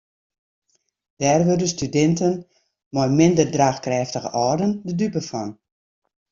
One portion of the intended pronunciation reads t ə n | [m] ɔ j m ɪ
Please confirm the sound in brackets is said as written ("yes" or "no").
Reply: yes